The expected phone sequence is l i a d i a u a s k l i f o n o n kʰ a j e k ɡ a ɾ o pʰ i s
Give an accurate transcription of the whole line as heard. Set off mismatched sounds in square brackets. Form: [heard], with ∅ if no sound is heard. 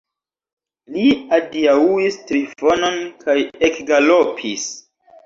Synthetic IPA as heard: l i a d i a u [i] s [t] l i f o n o n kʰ a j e k ɡ a [l] o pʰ i s